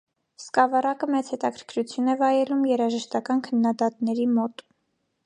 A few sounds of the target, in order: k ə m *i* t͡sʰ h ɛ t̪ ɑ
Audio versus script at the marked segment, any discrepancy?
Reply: yes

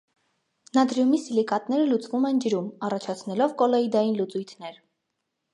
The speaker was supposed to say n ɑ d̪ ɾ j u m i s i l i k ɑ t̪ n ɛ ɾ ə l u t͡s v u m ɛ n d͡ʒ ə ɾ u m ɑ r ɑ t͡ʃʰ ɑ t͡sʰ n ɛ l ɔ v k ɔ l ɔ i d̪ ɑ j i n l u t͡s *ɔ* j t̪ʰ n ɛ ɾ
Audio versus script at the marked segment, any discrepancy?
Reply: yes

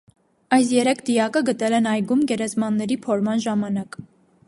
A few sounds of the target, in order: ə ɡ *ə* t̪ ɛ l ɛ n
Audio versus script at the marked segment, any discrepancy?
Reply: no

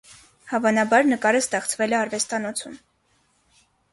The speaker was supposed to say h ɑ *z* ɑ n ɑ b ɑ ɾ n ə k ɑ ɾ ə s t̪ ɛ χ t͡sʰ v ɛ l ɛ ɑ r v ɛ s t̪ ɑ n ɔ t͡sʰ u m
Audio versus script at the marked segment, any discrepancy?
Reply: yes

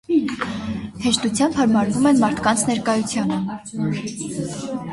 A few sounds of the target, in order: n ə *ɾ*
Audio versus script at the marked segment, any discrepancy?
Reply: yes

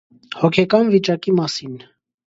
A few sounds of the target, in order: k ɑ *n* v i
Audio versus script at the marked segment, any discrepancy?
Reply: no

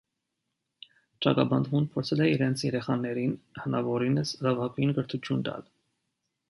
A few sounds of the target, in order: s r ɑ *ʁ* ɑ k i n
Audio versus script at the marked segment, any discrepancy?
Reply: yes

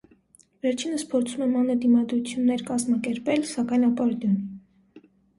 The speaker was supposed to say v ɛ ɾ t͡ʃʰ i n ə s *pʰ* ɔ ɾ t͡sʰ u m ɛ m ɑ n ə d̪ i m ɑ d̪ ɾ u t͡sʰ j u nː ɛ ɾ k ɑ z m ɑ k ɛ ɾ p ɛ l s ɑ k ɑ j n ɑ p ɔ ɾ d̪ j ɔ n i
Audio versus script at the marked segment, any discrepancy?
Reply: no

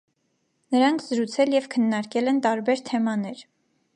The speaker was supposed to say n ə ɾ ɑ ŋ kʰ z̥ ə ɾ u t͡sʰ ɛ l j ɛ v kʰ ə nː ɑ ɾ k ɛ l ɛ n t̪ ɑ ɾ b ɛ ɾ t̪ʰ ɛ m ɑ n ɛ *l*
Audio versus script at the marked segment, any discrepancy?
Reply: yes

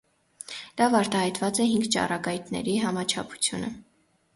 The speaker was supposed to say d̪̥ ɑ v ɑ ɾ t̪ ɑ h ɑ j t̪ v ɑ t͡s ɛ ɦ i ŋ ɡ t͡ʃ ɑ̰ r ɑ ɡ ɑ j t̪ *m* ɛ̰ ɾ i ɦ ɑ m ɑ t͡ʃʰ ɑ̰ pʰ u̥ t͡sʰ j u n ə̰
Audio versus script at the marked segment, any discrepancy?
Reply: yes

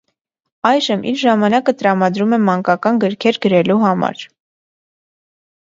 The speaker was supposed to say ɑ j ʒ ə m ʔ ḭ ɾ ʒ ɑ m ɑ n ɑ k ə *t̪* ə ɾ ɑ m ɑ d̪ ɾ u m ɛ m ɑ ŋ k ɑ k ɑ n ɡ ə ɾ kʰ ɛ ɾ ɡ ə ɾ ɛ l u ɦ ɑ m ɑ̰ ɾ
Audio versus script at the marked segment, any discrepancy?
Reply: no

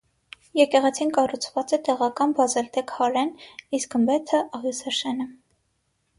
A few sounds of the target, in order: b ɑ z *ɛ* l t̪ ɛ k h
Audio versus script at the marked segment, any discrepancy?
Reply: no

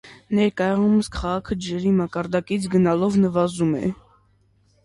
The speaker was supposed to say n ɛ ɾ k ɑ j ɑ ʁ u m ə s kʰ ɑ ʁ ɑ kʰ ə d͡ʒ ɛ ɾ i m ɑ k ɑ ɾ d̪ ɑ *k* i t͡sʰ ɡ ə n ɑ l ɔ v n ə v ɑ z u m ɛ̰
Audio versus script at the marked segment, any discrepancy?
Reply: no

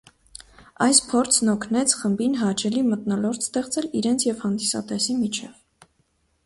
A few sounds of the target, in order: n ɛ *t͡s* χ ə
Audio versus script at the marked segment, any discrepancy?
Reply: yes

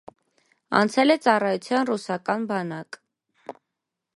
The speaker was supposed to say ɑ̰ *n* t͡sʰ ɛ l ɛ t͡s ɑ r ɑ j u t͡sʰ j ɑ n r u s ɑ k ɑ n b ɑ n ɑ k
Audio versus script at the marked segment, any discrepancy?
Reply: no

